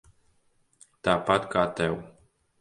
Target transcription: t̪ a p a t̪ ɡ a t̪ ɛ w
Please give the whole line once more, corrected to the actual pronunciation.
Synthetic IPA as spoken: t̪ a p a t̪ k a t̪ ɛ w